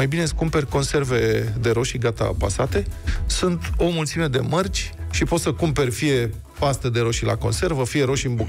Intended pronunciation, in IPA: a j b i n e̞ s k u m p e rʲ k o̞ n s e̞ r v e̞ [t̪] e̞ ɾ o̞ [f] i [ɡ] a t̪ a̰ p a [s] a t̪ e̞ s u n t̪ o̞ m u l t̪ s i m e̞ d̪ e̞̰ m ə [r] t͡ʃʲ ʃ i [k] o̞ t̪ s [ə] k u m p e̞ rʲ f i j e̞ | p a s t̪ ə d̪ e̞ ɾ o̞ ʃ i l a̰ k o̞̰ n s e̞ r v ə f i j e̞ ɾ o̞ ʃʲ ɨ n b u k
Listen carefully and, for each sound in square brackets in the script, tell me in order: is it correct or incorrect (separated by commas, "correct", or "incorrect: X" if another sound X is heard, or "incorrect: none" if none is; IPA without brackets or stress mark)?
incorrect: d̪, incorrect: ʃ, correct, correct, correct, incorrect: p, correct